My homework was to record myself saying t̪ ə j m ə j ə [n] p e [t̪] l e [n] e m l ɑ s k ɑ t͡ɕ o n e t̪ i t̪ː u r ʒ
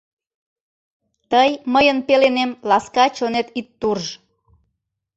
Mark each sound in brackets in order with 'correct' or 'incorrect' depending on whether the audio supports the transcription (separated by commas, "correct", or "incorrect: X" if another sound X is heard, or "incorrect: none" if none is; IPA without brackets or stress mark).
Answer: correct, incorrect: none, correct